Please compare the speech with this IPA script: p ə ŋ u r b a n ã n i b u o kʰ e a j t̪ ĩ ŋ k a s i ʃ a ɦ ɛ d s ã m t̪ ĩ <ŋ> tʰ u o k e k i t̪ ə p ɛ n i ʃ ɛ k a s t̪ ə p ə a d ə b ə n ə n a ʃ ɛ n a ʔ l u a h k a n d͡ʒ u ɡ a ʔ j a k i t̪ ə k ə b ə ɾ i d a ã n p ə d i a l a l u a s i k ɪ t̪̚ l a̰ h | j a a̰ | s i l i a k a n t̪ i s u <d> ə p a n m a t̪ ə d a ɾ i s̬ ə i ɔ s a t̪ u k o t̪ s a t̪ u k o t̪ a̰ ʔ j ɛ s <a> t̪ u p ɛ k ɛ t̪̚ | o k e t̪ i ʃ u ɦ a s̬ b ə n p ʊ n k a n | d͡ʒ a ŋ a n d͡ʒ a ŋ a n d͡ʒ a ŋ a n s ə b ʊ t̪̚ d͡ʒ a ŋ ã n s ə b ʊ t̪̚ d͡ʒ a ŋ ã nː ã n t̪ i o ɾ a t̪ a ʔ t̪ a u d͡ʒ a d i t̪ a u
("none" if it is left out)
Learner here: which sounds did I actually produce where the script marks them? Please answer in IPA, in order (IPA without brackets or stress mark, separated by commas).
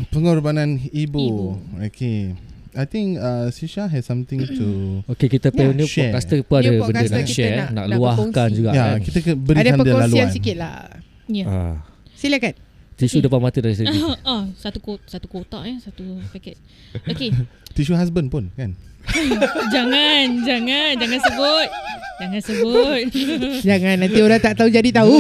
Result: ŋ, d, a